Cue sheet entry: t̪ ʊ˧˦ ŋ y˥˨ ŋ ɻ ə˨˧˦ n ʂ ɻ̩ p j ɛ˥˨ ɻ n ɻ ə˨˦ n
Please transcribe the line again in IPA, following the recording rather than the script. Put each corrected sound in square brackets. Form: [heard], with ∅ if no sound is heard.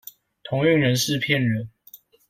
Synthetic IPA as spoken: [t̪ʰ] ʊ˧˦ ŋ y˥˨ ŋ ɻ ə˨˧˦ n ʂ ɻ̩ [pʰ] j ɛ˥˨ [∅] n ɻ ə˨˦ n